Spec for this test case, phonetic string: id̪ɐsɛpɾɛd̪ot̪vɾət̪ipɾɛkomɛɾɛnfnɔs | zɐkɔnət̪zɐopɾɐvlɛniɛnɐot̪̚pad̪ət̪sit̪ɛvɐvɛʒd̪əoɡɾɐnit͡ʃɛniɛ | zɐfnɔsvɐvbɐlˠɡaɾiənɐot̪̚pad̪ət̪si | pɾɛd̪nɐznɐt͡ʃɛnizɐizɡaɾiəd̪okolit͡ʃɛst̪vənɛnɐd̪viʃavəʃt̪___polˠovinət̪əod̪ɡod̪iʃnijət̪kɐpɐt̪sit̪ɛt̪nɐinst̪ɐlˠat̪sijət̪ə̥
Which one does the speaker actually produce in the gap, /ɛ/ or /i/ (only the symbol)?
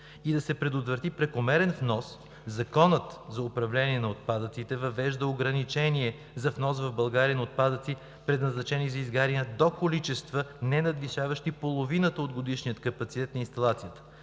i